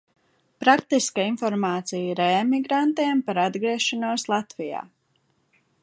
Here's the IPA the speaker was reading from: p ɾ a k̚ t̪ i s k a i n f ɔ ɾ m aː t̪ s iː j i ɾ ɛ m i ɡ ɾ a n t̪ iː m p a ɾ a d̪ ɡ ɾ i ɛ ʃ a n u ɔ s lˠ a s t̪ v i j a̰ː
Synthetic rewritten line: p ɾ a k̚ t̪ i s k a i n f ɔ ɾ m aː t̪ s i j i ɾ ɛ m i ɡ ɾ a n t̪ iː m p a ɾ a d̪ ɡ ɾ i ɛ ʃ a n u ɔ s lˠ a t̪ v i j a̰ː